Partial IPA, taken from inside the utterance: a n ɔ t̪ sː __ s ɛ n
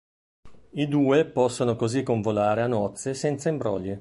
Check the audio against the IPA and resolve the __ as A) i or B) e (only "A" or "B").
B